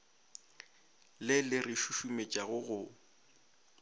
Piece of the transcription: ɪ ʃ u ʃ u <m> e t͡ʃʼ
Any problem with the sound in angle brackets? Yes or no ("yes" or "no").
no